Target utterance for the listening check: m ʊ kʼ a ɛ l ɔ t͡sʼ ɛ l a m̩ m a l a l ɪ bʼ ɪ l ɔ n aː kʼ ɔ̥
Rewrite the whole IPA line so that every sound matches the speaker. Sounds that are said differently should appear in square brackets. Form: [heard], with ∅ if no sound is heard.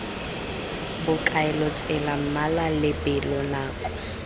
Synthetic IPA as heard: [b] ʊ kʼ a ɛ l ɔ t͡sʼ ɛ l a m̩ m a l a l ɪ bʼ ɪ l ɔ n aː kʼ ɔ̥